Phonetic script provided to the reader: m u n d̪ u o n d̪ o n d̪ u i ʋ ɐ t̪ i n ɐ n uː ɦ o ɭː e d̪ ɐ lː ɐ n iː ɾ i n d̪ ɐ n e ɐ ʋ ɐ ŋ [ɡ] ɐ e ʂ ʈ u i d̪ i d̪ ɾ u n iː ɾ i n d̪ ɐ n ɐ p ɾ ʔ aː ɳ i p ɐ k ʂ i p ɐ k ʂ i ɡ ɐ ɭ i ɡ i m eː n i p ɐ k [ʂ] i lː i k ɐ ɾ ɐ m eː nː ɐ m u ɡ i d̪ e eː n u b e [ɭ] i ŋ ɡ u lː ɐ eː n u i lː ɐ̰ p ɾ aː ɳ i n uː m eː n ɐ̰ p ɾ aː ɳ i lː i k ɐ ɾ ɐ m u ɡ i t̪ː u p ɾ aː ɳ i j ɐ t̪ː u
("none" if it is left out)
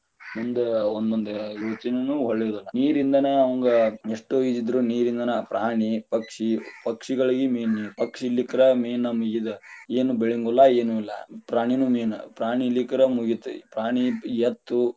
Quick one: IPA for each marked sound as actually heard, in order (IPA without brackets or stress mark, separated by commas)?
ɡ, ʂ, ɭ